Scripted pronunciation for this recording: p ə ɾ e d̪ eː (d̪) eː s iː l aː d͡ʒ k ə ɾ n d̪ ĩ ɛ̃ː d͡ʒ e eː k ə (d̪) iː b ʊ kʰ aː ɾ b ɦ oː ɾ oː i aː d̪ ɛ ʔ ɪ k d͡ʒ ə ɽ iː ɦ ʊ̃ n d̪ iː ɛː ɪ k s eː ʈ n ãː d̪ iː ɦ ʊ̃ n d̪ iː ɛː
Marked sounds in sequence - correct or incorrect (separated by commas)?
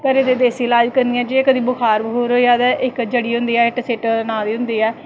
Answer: correct, correct